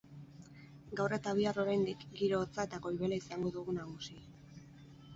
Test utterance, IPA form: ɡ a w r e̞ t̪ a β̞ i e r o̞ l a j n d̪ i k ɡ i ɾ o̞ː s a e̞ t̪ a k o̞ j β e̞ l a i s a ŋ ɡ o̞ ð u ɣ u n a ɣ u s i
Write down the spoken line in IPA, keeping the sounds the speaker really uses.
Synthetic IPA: ɡ a w r e̞ t̪ a β̞ i a r o̞ ɾ a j n d̪ i k ɡ i ɾ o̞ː t͡s a e̞ t̪ a k o̞ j β e̞ l a i s a ŋ ɡ o̞ ð u ɣ u n a ɣ u s i